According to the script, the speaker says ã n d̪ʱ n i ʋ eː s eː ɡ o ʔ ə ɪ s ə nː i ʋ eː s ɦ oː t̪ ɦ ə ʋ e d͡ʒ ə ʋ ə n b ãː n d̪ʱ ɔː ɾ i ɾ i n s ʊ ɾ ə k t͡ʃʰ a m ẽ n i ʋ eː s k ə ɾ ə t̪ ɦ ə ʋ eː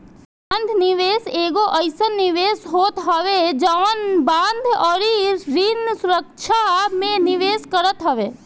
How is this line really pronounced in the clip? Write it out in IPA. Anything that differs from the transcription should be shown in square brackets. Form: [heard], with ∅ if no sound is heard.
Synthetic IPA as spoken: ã n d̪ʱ n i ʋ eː s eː ɡ o ʔ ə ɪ s ə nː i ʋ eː s ɦ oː t̪ ɦ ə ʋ e d͡ʒ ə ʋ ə n b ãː n d̪ʱ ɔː ɾ i ɾ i n s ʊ ɾ ə k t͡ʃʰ a m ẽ n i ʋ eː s k ə ɾ ə t̪ ɦ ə ʋ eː